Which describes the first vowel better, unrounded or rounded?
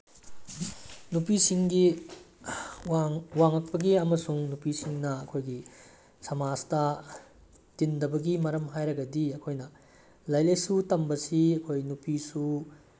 rounded